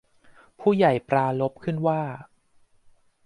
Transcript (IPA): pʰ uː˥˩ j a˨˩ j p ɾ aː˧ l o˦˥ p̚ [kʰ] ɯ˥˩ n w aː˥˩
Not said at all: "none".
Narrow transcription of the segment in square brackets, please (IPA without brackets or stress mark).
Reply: kʰ